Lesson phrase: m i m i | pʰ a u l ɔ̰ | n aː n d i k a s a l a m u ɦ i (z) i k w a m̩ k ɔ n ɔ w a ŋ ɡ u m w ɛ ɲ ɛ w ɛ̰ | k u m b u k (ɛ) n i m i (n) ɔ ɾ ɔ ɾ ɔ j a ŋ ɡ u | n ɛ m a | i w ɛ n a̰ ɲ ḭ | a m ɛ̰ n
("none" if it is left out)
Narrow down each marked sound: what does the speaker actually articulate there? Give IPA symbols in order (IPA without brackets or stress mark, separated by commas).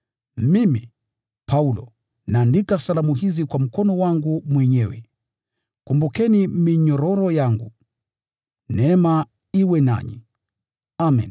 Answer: z, ɛ, ɲ